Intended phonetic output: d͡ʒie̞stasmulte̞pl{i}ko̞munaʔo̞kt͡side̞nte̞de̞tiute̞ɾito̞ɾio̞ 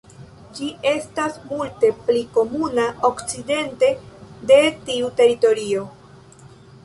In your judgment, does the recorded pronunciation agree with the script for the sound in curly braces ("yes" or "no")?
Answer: yes